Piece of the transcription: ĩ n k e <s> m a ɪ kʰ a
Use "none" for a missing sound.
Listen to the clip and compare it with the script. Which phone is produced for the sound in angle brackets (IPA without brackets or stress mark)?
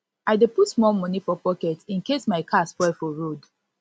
s